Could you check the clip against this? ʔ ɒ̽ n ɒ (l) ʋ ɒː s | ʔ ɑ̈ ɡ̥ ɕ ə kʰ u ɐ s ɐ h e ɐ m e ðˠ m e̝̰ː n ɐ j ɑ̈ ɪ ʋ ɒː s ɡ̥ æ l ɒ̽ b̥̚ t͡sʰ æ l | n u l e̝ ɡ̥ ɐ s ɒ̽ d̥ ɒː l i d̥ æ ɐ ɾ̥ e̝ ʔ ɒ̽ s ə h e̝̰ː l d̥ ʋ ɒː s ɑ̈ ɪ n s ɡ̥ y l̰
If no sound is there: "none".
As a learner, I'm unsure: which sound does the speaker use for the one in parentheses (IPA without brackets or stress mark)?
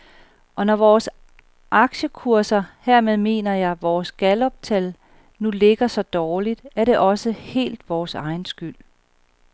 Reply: none